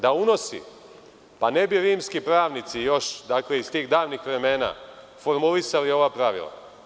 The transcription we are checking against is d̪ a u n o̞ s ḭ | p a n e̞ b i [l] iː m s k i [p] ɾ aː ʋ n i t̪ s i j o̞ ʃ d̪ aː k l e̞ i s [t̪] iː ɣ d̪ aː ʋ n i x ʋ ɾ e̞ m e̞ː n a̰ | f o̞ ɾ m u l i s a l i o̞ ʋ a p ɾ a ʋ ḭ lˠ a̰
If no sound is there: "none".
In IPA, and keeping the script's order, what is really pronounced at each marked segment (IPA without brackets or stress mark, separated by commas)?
ɾ, p, t̪